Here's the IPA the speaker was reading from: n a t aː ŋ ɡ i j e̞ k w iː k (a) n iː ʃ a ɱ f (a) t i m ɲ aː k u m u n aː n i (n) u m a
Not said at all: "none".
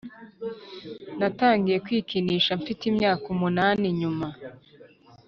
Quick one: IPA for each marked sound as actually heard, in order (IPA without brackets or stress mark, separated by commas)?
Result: i, i, ɲ